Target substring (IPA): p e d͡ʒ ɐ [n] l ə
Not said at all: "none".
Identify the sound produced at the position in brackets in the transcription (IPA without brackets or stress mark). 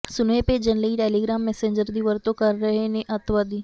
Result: n